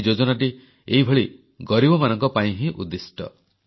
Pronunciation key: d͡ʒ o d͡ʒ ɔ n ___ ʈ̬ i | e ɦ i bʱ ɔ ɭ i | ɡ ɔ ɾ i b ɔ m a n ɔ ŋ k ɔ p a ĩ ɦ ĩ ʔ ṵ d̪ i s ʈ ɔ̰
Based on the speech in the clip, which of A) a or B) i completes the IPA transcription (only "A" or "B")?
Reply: A